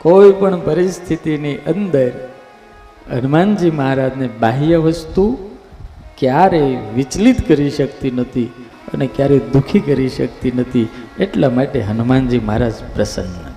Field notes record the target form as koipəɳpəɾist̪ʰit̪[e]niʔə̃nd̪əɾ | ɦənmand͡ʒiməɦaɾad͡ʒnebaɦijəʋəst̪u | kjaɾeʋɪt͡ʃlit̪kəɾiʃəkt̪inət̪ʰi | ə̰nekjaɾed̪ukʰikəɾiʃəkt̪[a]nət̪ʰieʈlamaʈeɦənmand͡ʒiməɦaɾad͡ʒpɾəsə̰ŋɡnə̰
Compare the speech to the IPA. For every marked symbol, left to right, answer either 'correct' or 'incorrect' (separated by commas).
incorrect, incorrect